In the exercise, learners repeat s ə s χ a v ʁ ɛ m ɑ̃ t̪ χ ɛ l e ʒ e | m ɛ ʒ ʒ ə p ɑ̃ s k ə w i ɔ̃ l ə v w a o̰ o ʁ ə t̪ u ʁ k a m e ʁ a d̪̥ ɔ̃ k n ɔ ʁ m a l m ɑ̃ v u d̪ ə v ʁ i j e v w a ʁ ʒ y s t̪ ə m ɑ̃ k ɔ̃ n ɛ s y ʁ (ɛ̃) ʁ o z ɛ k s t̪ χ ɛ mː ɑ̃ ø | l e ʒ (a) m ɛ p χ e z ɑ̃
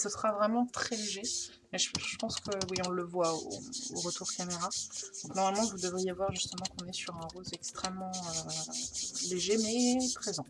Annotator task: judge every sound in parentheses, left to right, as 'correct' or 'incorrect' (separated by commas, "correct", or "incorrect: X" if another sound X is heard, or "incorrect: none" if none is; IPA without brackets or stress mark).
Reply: correct, incorrect: e